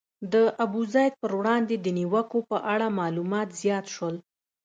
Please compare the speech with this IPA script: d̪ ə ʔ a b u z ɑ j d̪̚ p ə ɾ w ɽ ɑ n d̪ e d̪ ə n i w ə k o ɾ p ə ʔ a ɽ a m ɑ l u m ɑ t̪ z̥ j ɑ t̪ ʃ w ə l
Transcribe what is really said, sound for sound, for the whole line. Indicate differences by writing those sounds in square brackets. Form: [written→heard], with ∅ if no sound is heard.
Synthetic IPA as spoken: d̪ ə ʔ a b u z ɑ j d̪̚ p ə ɾ w ɽ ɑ n d̪ e d̪ ə n i w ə k o [ɾ→∅] p ə ʔ a ɽ a m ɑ l u m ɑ t̪ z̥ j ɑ t̪ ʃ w ə l